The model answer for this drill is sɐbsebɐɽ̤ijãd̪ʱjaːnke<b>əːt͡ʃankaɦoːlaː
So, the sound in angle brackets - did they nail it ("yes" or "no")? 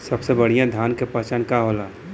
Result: no